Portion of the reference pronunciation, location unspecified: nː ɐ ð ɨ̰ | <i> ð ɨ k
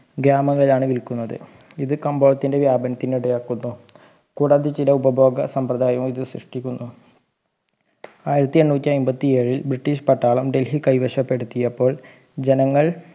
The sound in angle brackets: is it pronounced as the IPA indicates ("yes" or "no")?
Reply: yes